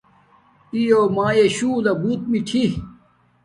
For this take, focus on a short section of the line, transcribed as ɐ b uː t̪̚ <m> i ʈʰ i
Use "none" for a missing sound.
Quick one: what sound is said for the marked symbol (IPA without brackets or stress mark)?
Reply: m